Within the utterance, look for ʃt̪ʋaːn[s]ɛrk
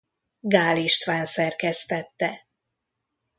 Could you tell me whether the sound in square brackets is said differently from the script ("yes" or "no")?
no